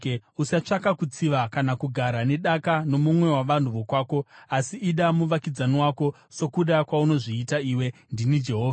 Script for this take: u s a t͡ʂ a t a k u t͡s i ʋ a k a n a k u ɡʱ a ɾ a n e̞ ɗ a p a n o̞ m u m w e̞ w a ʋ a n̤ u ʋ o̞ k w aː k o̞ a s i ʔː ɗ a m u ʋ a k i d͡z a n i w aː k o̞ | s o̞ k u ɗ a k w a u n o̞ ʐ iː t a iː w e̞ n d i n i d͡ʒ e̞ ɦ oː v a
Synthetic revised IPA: u s a t͡ʂ a k a k u t͡s i ʋ a k a n a k u ɡʱ a ɾ a n e̞ ɗ a k a n o̞ m u m w e̞ w a ʋ a n̤ u ʋ o̞ k w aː k o̞ a s i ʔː ɗ a m u ʋ a k i d͡z a n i w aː k o̞ | s o̞ k u ɗ a k w a u n o̞ ʐ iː t a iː w e̞ n d i n i d͡ʒ e̞ ɦ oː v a